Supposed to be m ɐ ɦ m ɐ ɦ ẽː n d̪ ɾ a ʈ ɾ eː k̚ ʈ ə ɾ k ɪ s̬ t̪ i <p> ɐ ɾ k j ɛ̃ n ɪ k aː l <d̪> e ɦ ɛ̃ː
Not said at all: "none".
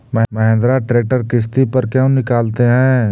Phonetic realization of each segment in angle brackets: p, t̪

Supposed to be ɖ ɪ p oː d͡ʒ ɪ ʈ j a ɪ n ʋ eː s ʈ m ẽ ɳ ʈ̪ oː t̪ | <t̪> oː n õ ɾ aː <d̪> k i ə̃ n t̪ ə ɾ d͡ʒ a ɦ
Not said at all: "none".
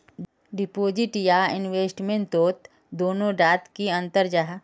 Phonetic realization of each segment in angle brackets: d̪, t̪

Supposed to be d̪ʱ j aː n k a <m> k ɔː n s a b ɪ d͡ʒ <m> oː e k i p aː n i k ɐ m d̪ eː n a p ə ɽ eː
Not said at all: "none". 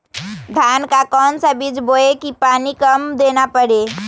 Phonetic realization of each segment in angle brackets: none, b

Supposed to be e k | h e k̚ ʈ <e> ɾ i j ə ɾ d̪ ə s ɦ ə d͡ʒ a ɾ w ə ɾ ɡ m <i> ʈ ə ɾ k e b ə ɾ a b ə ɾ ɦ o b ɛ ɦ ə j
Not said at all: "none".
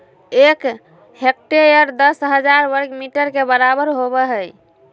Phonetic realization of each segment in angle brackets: e, i

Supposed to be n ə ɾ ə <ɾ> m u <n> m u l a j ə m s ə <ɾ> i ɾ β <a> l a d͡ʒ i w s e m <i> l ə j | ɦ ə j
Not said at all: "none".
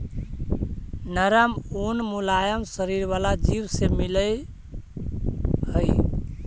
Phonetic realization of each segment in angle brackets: none, n, ɾ, a, i

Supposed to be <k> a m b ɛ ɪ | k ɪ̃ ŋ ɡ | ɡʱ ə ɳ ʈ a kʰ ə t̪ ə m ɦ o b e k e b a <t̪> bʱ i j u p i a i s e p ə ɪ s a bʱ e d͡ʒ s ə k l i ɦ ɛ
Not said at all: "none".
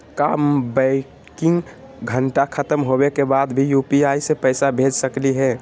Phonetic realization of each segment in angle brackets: k, d̪

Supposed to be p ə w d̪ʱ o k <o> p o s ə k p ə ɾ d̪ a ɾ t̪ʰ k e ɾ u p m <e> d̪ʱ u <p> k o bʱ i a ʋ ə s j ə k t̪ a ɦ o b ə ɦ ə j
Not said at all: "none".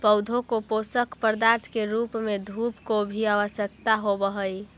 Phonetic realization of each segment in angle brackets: o, e, p

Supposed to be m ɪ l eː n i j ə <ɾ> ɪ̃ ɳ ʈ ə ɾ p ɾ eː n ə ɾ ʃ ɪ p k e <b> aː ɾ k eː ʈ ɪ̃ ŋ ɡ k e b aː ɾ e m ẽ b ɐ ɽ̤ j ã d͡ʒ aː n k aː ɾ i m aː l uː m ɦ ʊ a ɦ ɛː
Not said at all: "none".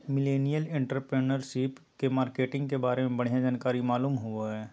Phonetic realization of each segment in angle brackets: l, m

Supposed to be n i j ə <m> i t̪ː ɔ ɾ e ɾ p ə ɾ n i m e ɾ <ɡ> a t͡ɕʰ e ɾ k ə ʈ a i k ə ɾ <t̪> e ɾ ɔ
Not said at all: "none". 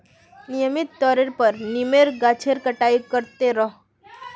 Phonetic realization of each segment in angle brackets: m, ɡ, t̪

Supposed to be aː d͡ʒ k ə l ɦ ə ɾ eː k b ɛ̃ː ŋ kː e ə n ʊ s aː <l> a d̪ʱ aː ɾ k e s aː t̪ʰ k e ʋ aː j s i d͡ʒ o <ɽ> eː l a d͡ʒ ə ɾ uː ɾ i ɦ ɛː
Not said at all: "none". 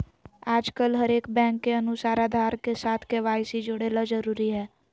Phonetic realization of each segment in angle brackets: ɾ, ɽ

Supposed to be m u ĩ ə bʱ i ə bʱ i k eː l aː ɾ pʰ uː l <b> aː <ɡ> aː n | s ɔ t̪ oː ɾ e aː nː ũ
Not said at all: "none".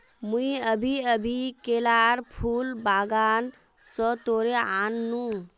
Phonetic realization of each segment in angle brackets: b, ɡ

